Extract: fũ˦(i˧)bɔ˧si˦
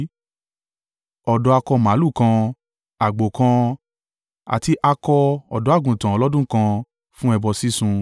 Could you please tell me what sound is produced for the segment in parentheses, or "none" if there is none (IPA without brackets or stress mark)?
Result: ɛ˧